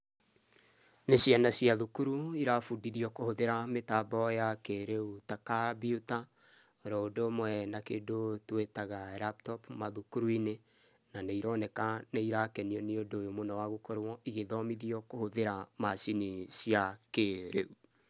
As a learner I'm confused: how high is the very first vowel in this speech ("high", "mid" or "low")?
mid